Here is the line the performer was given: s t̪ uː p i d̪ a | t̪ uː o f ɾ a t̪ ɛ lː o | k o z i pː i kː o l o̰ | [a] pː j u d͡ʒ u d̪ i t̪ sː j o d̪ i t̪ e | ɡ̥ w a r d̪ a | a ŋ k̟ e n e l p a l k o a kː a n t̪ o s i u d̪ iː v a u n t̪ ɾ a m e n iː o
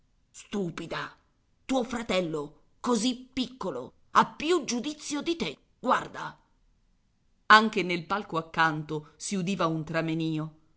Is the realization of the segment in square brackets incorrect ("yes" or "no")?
no